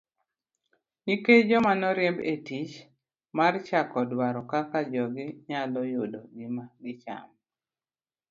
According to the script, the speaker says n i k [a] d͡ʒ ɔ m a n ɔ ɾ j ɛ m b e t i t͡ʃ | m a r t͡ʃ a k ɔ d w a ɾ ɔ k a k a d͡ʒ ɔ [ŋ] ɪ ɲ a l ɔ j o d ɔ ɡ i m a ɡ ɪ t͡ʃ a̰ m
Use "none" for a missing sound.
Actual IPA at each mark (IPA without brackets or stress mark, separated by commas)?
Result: e, ɡ